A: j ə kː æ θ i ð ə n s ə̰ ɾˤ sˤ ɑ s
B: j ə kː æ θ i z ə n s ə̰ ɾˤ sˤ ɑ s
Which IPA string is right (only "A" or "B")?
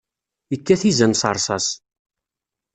B